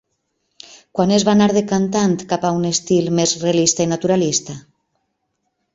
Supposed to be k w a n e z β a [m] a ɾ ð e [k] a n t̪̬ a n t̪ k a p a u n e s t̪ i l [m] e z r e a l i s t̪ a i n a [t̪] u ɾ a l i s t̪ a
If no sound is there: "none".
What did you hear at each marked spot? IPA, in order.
n, k, m, t̪

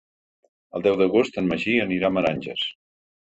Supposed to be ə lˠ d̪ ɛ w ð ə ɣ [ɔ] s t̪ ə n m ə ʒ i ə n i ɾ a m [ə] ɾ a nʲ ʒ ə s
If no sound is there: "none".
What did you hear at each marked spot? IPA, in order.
o, ə

